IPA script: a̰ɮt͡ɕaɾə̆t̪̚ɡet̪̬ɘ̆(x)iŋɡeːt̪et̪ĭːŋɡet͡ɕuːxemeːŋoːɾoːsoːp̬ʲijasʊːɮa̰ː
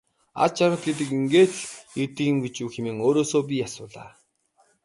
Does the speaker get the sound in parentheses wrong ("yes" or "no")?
yes